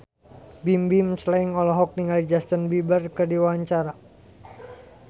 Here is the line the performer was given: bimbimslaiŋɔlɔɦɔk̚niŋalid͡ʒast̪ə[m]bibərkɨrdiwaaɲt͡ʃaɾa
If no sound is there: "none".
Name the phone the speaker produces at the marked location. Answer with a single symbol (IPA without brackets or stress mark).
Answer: n